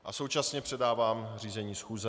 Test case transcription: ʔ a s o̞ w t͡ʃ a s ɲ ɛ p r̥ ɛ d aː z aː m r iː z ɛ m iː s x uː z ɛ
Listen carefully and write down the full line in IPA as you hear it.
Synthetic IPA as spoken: ʔ a s o̞ w t͡ʃ a s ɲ ɛ p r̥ ɛ d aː v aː m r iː z ɛ ɲ iː s x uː z ɛ

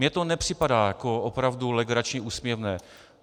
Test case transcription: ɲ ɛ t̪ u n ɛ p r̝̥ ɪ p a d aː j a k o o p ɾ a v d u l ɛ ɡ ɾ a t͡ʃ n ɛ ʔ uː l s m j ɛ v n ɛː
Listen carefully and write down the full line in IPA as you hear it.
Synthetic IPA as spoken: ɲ ɛ t̪ o n ɛ p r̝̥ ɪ p a d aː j a k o o p ɾ a v d u l ɛ ɡ ɾ a t͡ʃ ɲ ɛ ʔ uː s m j ɛ v n ɛː

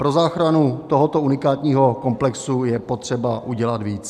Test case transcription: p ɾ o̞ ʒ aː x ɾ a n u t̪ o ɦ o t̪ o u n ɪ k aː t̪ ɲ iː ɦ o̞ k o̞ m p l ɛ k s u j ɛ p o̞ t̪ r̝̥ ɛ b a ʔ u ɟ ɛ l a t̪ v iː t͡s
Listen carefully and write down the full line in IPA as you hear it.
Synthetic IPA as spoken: p ɾ o̞ z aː x ɾ a n u t̪ o ɦ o t̪ o u n ɪ k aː t̪ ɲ iː ɦ o̞ k o̞ m p l ɛ k s u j ɛ p o̞ t̪ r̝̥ ɛ b a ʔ u ɟ ɛ l a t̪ v iː t͡s

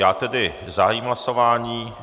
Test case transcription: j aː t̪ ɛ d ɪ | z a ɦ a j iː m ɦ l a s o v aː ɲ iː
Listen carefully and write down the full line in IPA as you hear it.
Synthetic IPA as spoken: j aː t̪ ɛ d ɪ | z a ɦ a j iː m ɦ l a s o v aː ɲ iː

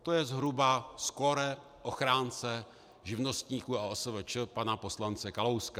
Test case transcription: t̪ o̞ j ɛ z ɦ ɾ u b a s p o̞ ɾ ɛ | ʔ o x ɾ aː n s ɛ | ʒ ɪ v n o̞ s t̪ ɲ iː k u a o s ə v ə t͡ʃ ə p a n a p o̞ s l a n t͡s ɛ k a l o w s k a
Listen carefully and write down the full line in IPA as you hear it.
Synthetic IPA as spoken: t̪ o̞ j ɛ z ɦ ɾ u b a s k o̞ ɾ ɛ | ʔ o x ɾ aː n t͡s ɛ | ʒ ɪ v n o̞ s t̪ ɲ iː k u a o s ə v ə t͡ʃ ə p a n a p o̞ s l a n t͡s ɛ k a l o w s k a

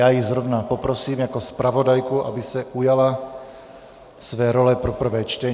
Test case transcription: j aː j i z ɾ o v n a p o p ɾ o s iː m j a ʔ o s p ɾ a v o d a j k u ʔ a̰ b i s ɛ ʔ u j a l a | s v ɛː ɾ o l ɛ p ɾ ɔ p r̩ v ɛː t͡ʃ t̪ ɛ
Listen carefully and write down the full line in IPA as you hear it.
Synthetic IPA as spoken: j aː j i z ɾ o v n a p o p ɾ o s iː m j a k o s p ɾ a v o d a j k u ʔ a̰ b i s ɛ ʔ u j a l a | s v ɛː ɾ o l ɛ p ɾ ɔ p r̩ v ɛː t͡ʃ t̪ ɛ

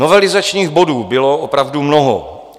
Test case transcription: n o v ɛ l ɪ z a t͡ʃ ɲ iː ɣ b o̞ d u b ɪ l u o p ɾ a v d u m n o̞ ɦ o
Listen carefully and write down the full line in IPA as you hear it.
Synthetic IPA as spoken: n o v ɛ l ɪ z a t͡ʃ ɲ iː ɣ b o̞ d uː b ɪ l o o p ɾ a v d u m n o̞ ɦ o

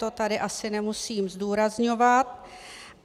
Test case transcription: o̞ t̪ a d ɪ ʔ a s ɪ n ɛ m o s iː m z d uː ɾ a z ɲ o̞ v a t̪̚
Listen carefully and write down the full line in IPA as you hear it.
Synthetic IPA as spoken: o̞ t̪ a d ɪ ʔ a s ɪ n ɛ m u s iː m z d uː ɾ a z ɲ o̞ v a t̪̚

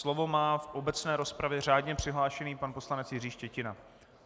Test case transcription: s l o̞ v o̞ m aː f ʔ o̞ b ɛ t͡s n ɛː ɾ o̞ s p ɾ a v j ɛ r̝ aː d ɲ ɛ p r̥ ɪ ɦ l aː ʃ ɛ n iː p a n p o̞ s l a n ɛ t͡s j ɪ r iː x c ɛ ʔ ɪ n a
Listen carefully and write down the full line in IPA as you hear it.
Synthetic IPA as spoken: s l o̞ v o̞ m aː f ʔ o̞ b ɛ t͡s n ɛː ɾ o̞ s p ɾ a v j ɛ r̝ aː d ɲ ɛ p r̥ ɪ ɦ l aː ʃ ɛ n iː p a n p o̞ s l a n ɛ t͡s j ɪ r iː ʃ c ɛ c ɪ n a

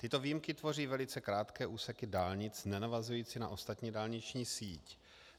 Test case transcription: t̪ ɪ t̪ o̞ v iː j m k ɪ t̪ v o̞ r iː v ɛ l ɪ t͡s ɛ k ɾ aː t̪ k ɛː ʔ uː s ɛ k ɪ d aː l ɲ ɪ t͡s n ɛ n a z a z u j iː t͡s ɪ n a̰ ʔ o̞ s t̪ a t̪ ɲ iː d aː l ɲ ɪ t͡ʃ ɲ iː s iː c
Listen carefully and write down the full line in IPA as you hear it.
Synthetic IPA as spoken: t̪ ɪ t̪ o̞ v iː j m k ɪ t̪ v o̞ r iː v ɛ l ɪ t͡s ɛ k ɾ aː t̪ k ɛː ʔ uː s ɛ k ɪ d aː l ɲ ɪ t͡s n ɛ n a v a z u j iː t͡s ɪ n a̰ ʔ o̞ s t̪ a t̪ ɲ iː d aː l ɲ ɪ t͡ʃ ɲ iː s iː c

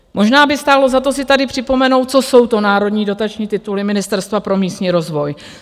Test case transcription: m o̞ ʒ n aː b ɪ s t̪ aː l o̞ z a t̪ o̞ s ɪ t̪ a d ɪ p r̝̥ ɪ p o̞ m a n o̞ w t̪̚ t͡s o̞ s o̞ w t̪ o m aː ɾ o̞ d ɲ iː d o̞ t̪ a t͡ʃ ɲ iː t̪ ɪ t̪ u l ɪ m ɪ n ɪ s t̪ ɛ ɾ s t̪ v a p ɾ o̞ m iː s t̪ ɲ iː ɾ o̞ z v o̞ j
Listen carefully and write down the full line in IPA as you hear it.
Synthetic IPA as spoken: m o̞ ʒ n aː b ɪ s t̪ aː l o̞ z a t̪ o̞ s ɪ t̪ a d ɪ p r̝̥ ɪ p o̞ m ɛ n o̞ w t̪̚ t͡s o̞ s o̞ w t̪ o n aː ɾ o̞ d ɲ iː d o̞ t̪ a t͡ʃ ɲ iː t̪ ɪ t̪ u l ɪ m ɪ n ɪ s t̪ ɛ ɾ s t̪ v a p ɾ o̞ m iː s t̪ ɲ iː ɾ o̞ z v o̞ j

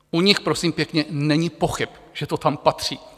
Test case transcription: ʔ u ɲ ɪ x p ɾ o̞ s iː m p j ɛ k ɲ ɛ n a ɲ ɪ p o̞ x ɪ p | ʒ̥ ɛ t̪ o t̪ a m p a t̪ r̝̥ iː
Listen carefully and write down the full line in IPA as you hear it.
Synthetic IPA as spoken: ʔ u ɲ ɪ x p ɾ o̞ s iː m p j ɛ k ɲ ɛ n ɛ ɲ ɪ p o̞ x ɪ p | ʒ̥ ɛ t̪ o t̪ a m p a t̪ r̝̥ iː

